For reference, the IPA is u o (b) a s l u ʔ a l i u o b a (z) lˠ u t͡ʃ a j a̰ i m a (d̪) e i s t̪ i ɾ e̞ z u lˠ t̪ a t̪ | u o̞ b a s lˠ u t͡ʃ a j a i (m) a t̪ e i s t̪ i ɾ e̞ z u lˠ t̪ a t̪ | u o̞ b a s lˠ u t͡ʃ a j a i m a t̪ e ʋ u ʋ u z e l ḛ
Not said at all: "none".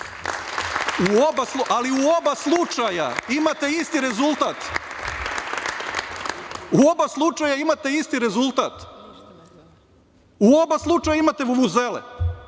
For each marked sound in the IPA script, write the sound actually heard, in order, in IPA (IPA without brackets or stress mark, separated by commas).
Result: b, s, t̪, m